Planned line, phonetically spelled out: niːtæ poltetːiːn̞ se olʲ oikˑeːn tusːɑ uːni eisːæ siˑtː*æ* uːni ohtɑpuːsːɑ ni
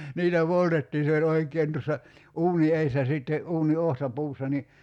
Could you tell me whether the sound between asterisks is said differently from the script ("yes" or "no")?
yes